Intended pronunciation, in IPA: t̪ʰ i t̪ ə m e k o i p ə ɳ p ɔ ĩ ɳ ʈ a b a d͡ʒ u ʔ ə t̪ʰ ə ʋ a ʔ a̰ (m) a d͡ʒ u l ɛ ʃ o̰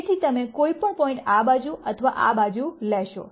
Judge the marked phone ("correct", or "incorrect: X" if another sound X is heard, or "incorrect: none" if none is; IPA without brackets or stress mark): incorrect: b